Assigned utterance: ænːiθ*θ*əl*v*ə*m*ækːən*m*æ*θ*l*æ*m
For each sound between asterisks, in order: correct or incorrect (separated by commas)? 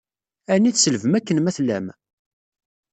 incorrect, correct, correct, correct, correct, correct